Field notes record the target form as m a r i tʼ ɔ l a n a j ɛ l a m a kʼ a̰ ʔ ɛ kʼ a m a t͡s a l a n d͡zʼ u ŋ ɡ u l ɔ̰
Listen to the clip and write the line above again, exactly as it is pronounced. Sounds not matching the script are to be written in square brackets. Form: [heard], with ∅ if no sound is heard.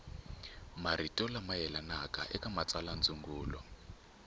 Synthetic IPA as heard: m a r i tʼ ɔ l a [m] a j ɛ l a [n] a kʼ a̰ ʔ ɛ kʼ a m a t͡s a l a n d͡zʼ u ŋ ɡ [uː] l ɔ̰